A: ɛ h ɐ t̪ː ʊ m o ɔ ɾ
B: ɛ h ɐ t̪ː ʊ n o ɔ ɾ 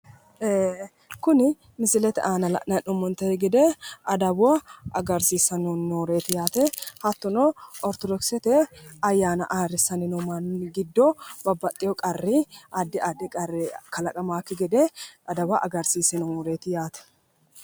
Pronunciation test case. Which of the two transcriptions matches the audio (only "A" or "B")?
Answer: B